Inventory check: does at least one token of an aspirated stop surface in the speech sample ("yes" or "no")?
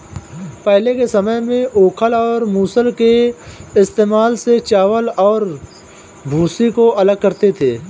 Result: yes